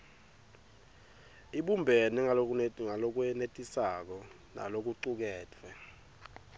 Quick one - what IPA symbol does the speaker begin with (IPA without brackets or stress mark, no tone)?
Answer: i